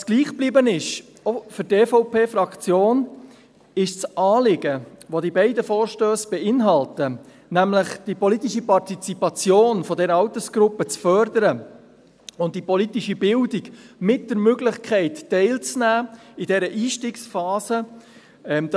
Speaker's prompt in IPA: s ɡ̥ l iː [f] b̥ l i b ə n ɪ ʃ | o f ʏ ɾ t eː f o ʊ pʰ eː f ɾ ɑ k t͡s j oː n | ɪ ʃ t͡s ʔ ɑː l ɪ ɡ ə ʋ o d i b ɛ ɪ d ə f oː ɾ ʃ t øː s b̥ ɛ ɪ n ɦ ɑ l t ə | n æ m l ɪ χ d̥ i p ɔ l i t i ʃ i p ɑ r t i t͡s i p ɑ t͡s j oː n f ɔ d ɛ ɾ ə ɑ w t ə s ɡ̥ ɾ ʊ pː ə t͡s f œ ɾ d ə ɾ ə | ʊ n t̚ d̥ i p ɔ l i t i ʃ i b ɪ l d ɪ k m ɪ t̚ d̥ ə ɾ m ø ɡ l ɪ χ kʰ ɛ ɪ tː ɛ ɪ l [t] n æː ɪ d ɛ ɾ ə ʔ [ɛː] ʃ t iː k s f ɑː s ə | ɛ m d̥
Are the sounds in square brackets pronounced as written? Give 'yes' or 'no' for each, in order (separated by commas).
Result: no, no, no